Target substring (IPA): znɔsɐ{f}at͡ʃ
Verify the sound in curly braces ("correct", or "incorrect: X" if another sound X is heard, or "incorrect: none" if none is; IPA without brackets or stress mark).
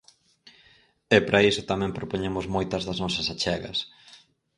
incorrect: s